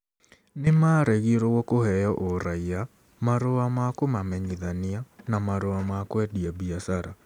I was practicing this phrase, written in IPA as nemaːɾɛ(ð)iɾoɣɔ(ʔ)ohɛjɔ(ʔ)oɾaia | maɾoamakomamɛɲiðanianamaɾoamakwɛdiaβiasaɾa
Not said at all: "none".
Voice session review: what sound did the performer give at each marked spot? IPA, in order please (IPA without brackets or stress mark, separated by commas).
ɣ, k, ʔ